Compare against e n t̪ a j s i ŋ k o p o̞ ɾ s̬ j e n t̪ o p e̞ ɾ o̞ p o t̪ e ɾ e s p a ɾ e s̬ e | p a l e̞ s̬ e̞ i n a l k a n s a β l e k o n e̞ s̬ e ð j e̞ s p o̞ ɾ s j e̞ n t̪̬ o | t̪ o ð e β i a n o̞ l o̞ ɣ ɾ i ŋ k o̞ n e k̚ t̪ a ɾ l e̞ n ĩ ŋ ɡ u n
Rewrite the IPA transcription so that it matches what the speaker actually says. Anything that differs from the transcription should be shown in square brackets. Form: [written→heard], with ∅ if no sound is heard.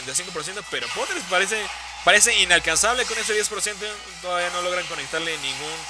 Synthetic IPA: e n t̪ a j s i ŋ k o p o̞ ɾ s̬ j e n t̪ o p e̞ ɾ o̞ p o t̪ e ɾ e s p a ɾ e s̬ e | p a [l→ɾ] e̞ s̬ e̞ i n a l k a n s a β l e k o n e̞ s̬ e ð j e̞ s p o̞ ɾ s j e̞ n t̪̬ o | t̪ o ð [e→a] β i a n o̞ l o̞ ɣ ɾ [i→a] ŋ k o̞ n e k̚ t̪ a ɾ l e̞ n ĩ ŋ ɡ u n

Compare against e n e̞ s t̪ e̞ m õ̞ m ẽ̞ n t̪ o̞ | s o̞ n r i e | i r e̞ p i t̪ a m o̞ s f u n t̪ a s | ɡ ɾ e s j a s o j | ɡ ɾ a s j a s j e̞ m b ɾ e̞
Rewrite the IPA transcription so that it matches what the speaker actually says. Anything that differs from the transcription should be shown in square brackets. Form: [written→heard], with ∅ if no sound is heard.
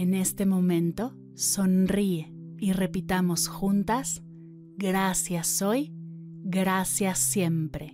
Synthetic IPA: e n e̞ s t̪ e̞ m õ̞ m ẽ̞ n t̪ o̞ | s o̞ n r i e | i r e̞ p i t̪ a m o̞ s [f→x] u n t̪ a s | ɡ ɾ [e→a] s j a s o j | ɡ ɾ a s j a s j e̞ m [b→p] ɾ e̞

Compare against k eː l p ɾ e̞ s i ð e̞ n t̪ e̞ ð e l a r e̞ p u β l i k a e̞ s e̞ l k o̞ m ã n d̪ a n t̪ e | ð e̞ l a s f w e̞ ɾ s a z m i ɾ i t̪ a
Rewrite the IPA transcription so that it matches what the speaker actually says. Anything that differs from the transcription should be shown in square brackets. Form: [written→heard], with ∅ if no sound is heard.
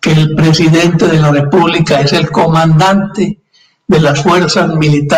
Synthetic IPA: k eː l p ɾ e̞ s i ð e̞ n t̪ e̞ ð e l a r e̞ p u β l i k a e̞ s e̞ l k o̞ m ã n d̪ a n t̪ e | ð e̞ l a s f w e̞ ɾ s a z m i [ɾ→l] i t̪ a

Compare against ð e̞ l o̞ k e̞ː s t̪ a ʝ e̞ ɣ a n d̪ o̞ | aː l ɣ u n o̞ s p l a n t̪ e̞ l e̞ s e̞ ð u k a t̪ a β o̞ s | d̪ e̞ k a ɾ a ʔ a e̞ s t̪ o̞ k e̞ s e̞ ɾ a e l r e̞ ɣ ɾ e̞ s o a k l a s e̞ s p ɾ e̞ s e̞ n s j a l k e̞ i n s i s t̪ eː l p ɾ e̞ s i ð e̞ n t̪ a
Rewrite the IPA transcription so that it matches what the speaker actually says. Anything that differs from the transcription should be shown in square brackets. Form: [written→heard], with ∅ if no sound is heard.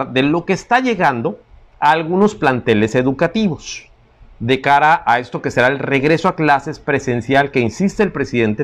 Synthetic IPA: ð e̞ l o̞ k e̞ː s t̪ a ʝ e̞ ɣ a n d̪ o̞ | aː l ɣ u n o̞ s p l a n t̪ e̞ l e̞ s e̞ ð u k a t̪ [a→i] β o̞ s | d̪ e̞ k a ɾ a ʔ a e̞ s t̪ o̞ k e̞ s e̞ ɾ a e l r e̞ ɣ ɾ e̞ s o a k l a s e̞ s p ɾ e̞ s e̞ n s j a l k e̞ i n s i s t̪ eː l p ɾ e̞ s i ð e̞ n t̪ [a→e]

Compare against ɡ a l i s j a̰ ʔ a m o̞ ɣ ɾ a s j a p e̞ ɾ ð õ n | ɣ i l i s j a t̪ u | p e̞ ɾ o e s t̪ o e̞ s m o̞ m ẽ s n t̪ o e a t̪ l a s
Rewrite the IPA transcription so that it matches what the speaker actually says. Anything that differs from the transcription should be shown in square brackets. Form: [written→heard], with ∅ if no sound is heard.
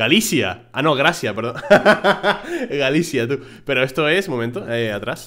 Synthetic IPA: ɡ a l i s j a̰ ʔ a [m→n] o̞ ɣ ɾ a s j a p e̞ ɾ ð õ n | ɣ [i→a] l i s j a t̪ u | p e̞ ɾ o e s t̪ o e̞ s m o̞ m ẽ [s→∅] n t̪ o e a t̪ [l→ɾ] a s

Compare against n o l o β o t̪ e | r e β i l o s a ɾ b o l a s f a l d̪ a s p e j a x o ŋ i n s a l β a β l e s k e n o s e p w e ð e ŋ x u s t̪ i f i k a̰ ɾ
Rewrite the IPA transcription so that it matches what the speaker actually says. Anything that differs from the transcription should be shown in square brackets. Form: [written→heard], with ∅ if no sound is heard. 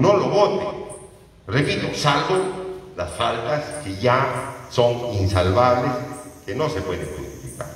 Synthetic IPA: n o l o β o t̪ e | r e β i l o s a [ɾ→l] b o l a s f a l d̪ a s [p→k] e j a [x→s] o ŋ i n s a l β a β l e s k e n o s e p w e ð e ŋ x u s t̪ i f i k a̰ ɾ

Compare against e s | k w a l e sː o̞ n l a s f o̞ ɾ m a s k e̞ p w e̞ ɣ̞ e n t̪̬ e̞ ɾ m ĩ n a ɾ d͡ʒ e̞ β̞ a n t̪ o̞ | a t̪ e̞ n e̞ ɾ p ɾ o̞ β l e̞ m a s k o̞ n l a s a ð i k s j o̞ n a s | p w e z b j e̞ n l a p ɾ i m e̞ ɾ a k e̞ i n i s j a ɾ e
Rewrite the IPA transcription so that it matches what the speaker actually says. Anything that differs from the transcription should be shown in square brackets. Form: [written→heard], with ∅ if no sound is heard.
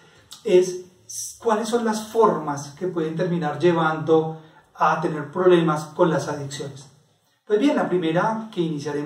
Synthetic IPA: e s | k w a l e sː o̞ n l a s f o̞ ɾ m a s k e̞ p w e̞ [ɣ̞→ð̞] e n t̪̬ e̞ ɾ m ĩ n a ɾ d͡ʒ e̞ β̞ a n [t̪→d̪] o̞ | a t̪ e̞ n e̞ ɾ p ɾ o̞ β l e̞ m a s k o̞ n l a s a ð i k s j o̞ n [a→e] s | p w e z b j e̞ n l a p ɾ i m e̞ ɾ a k e̞ i n i s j a ɾ e

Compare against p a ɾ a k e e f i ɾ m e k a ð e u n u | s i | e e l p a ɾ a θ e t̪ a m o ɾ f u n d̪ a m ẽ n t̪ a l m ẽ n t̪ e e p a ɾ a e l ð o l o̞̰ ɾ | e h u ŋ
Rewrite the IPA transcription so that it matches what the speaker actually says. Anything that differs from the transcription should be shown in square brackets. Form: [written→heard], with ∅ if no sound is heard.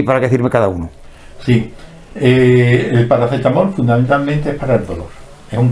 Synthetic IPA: p a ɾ a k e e [f→θ] i ɾ m e k a ð [e→a] u n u | s i | e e l p a ɾ a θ e t̪ a m o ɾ f u n d̪ a m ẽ n t̪ a l m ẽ n t̪ e e p a ɾ a e l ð o l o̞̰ ɾ | e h u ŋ

